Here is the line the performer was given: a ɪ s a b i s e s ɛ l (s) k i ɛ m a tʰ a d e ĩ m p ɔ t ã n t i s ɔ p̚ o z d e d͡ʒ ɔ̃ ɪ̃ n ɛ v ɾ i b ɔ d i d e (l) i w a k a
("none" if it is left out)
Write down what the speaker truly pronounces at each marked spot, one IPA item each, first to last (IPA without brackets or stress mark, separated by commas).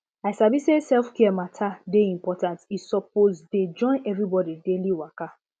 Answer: f, l